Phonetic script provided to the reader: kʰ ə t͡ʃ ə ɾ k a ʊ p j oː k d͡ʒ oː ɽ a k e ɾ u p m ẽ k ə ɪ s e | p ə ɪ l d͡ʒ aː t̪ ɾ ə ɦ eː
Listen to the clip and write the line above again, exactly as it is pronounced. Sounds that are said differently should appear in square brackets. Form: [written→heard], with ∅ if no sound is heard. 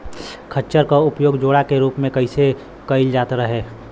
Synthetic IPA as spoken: kʰ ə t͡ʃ ə ɾ k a ʊ p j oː [k→ɡ] d͡ʒ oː ɽ a k e ɾ [u→uː] p m ẽ k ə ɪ s e | [p→k] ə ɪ l d͡ʒ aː t̪ ɾ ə ɦ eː